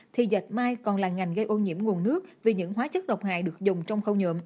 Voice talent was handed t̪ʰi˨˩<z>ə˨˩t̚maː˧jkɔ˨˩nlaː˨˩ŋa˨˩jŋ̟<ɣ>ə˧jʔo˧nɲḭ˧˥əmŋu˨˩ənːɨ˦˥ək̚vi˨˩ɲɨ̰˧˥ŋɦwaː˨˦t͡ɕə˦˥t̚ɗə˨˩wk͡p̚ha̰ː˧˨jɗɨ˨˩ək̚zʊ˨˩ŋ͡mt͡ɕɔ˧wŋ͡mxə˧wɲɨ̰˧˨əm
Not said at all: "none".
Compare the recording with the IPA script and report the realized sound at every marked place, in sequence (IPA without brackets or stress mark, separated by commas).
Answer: z, ɣ